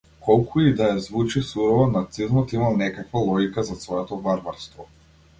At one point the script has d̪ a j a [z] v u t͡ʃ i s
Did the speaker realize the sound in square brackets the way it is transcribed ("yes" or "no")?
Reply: yes